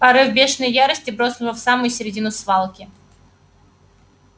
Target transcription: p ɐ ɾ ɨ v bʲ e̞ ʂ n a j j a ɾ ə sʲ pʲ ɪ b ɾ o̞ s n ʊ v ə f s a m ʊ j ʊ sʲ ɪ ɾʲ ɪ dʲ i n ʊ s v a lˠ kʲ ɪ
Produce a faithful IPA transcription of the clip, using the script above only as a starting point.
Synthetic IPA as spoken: p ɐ ɾ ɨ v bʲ e̞ ʂ n ə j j a ɾ ə sʲ tʲ ɪ b ɾ o̞ s n ʊ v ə f s a m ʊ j ʊ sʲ ɪ ɾʲ ɪ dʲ i n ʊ s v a lˠ kʲ ɪ